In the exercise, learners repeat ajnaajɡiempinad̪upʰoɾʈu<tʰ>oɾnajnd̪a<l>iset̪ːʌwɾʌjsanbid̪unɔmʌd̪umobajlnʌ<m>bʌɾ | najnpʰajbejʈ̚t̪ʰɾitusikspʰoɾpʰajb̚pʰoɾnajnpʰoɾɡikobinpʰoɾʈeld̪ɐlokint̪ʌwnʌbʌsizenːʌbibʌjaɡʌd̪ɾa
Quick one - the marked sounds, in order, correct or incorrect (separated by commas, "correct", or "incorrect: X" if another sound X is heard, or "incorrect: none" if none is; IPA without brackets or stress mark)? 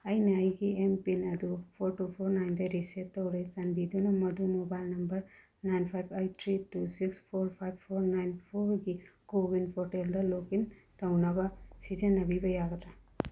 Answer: incorrect: pʰ, incorrect: ɾ, correct